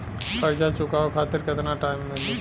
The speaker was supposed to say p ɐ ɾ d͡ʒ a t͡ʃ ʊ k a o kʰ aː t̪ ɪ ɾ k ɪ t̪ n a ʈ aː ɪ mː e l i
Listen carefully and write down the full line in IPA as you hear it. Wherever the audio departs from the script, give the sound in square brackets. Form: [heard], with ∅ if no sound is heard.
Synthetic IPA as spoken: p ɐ ɾ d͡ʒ a t͡ʃ ʊ k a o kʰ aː t̪ ɪ ɾ k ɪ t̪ n a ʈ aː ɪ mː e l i

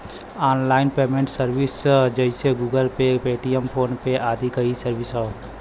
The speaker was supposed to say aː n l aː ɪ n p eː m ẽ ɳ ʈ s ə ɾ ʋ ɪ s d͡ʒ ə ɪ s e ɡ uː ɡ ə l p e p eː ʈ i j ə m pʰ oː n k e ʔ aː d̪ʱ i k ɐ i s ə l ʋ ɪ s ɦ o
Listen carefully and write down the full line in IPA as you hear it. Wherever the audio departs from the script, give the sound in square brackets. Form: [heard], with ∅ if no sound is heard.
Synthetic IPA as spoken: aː n l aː ɪ n p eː m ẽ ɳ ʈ s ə ɾ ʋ ɪ s d͡ʒ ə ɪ s e ɡ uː ɡ ə l p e p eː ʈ i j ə m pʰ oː n [p] e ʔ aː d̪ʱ i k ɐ i s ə [ɾ] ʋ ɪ s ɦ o

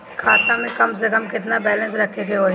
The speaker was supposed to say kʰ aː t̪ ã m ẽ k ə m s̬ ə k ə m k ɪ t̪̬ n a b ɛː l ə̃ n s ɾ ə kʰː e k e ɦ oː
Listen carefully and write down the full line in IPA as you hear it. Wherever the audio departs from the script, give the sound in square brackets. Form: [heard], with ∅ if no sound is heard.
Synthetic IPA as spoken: kʰ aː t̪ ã m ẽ k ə m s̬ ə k ə m k ɪ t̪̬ n a b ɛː l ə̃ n s ɾ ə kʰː e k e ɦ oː

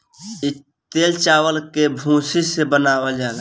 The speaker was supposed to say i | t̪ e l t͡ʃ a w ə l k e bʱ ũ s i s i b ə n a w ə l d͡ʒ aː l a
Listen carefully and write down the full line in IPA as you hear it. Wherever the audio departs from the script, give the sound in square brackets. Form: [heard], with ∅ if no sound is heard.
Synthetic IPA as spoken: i | t̪ e l t͡ʃ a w ə l k e bʱ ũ s i s [e] b ə n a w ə l d͡ʒ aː l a

